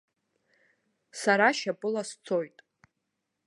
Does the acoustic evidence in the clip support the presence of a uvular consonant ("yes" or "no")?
no